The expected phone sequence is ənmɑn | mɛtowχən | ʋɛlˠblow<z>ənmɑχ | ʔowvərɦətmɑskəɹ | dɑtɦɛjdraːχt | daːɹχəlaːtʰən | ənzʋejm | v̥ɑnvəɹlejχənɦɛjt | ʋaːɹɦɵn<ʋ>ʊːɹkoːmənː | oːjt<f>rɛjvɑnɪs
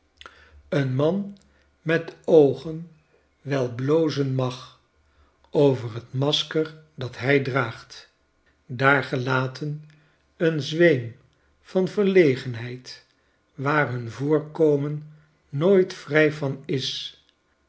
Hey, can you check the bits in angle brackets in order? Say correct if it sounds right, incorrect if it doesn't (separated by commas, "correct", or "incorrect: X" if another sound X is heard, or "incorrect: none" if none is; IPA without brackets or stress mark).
correct, incorrect: v, correct